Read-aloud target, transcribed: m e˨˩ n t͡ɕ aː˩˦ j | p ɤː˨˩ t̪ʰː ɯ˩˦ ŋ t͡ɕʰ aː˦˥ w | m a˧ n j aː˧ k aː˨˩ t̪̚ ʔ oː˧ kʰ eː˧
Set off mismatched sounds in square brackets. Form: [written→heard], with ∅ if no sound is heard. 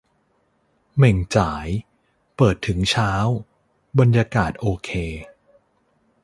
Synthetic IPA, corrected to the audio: m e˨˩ [n→ŋ] t͡ɕ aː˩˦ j | p ɤː˨˩ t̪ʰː ɯ˩˦ ŋ t͡ɕʰ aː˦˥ w | [m→b] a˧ n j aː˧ k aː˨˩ t̪̚ ʔ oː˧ kʰ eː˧